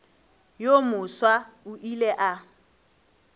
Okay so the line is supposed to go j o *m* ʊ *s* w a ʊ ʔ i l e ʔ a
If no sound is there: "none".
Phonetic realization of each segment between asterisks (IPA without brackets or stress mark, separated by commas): m, s